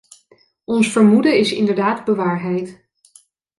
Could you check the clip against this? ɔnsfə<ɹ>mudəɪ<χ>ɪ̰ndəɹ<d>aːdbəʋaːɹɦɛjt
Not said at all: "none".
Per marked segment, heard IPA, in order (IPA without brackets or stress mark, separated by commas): ɹ, s, d